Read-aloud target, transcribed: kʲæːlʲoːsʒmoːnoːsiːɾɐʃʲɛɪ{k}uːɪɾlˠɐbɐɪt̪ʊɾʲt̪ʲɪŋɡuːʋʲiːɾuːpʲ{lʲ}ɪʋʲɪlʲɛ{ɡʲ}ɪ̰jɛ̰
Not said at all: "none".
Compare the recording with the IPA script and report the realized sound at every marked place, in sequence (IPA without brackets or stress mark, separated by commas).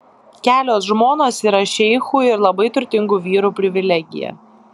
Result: x, ɾʲ, ɡʲ